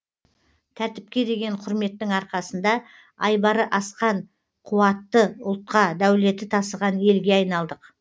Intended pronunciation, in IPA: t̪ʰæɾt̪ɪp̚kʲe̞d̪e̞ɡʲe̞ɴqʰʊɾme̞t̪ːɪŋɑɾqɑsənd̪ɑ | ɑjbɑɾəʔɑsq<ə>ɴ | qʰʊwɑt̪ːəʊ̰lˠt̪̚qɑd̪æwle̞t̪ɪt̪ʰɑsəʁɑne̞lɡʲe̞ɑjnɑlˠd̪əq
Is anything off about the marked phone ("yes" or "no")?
yes